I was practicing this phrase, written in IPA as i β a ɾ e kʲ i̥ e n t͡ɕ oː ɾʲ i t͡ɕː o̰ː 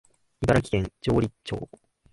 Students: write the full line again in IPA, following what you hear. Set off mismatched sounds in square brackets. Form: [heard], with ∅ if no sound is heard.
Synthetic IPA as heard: i [b] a ɾ [a] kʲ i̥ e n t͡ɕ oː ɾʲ i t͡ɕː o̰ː

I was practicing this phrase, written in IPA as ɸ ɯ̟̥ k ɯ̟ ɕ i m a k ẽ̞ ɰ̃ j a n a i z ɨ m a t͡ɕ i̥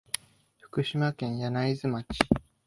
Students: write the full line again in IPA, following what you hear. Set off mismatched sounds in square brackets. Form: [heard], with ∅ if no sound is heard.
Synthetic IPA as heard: ɸ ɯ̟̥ k ɯ̟ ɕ i m a k ẽ̞ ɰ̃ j a n a i z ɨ m a t͡ɕ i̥

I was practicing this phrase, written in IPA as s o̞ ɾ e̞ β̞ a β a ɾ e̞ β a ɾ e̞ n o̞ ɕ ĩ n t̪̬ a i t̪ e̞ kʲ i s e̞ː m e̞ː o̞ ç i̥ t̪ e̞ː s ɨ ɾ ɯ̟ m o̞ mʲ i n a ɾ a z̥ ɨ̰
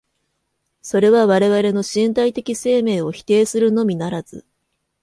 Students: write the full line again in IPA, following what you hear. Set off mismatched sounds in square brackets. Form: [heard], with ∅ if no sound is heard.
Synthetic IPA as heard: s o̞ ɾ e̞ β̞ a β a ɾ e̞ β a ɾ e̞ n o̞ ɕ ĩ n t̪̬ a i t̪ e̞ kʲ i s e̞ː m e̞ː o̞ ç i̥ t̪ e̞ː s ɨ ɾ ɯ̟ [n] o̞ mʲ i n a ɾ a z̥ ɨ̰

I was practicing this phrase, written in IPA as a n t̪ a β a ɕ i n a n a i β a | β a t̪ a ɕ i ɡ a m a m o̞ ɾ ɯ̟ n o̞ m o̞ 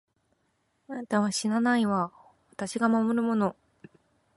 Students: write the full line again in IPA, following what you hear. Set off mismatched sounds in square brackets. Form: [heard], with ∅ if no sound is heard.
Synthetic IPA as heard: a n t̪ a β a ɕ i n a n a i β a | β a t̪ a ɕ i ɡ a m a m o̞ ɾ ɯ̟ [m] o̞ [n] o̞

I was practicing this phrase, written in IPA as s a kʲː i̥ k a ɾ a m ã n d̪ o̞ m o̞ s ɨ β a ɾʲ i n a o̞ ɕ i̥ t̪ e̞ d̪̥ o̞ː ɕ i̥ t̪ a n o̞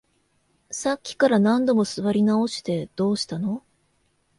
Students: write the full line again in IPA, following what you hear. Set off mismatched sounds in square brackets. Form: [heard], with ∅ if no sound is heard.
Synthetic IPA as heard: s a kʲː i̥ k a ɾ a [n] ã n d̪ o̞ m o̞ s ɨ β a ɾʲ i n a o̞ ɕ i̥ t̪ e̞ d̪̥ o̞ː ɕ i̥ t̪ a n o̞

